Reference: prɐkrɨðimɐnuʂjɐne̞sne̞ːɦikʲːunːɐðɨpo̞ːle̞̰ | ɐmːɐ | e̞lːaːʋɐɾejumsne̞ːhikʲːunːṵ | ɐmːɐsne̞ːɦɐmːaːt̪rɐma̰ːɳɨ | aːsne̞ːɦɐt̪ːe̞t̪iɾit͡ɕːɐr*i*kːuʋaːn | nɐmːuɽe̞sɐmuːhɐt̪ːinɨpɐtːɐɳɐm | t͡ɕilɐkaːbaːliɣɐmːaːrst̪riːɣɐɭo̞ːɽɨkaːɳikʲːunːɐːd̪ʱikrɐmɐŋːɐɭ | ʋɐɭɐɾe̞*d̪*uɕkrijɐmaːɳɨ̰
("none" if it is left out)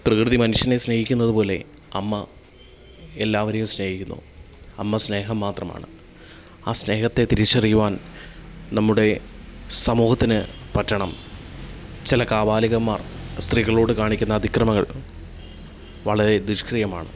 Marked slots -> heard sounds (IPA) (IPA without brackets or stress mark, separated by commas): i, d̪